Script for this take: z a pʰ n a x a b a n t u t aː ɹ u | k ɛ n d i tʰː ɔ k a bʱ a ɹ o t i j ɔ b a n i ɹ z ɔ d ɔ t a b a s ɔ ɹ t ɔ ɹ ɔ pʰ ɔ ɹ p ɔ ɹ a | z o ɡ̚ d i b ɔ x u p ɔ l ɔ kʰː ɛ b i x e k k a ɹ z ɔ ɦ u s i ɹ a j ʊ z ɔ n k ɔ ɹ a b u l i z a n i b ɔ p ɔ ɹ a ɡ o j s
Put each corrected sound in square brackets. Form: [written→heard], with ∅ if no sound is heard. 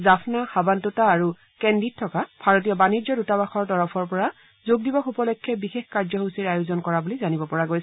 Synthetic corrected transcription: z a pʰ n a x a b a n t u t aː ɹ u | k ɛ n d i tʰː ɔ k a bʱ a ɹ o t i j ɔ b a n i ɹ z ɔ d [ɔ→u] t a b a [s→x] ɔ ɹ t ɔ ɹ ɔ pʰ ɔ ɹ p ɔ ɹ a | z o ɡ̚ d i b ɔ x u p ɔ l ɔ kʰː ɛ b i x e [k→x] k a ɹ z ɔ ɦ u s i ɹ a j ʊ z ɔ n k ɔ ɹ a b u l i z a n i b ɔ p ɔ ɹ a ɡ o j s